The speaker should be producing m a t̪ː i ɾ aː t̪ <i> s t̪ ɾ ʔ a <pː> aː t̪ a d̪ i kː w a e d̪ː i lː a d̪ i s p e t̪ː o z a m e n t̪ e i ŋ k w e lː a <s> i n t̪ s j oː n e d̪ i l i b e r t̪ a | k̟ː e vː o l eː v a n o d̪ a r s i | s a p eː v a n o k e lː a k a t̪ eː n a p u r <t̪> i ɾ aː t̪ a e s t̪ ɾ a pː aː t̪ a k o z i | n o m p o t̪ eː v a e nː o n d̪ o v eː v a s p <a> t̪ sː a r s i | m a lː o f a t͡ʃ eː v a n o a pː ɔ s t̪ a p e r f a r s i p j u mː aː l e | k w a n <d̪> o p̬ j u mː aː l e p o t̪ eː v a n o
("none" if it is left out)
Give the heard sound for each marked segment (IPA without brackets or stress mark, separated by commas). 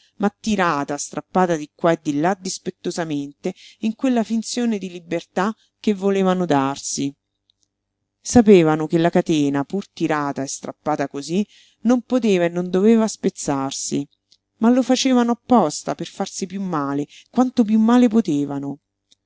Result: a, pː, f, t̪, e, t̪